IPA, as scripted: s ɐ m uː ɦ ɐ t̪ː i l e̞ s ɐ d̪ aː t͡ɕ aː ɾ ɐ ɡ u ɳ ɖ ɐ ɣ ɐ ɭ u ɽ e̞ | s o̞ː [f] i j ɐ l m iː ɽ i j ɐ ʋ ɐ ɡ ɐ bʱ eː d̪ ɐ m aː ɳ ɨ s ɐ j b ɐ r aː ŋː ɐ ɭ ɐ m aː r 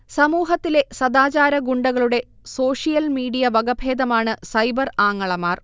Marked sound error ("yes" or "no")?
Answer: yes